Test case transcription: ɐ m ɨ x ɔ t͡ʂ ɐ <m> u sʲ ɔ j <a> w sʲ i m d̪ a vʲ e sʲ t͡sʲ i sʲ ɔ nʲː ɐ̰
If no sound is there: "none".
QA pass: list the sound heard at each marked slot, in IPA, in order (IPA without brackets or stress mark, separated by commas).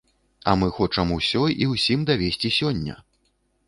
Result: m, i